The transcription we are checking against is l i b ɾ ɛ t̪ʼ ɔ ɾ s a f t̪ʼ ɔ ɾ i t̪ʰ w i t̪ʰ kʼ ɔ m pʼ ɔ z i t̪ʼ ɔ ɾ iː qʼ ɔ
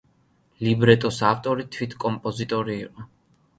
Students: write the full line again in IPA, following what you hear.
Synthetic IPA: l i b ɾ ɛ t̪ʼ ɔ s a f t̪ʼ ɔ ɾ i t̪ʰ w i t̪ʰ kʼ ɔ m pʼ ɔ z i t̪ʼ ɔ ɾ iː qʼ ɔ